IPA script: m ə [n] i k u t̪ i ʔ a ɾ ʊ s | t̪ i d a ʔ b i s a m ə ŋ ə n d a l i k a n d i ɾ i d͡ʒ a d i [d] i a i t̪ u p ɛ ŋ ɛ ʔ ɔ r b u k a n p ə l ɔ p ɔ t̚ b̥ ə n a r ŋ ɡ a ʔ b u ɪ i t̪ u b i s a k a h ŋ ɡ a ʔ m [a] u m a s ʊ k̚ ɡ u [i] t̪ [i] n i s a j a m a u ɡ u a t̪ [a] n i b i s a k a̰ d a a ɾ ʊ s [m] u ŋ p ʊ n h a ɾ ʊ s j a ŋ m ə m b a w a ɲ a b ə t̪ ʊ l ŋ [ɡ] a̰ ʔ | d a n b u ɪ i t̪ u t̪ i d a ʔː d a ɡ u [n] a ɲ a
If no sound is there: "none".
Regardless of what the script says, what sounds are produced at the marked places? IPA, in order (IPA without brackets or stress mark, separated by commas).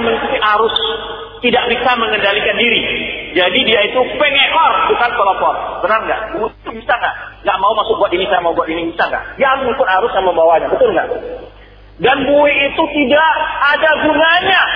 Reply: ŋ, d, a, a, i, i, m, ɡ, n